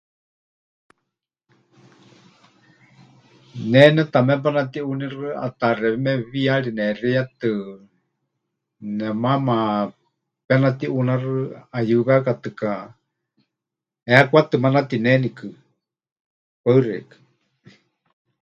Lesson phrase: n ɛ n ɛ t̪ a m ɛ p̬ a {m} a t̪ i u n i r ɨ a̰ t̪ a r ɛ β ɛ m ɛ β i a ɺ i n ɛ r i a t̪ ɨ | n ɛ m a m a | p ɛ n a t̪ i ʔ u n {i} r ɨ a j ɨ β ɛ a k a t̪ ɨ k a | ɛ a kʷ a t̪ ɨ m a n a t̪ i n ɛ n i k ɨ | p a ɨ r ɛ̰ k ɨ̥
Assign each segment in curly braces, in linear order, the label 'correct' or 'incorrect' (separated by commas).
incorrect, incorrect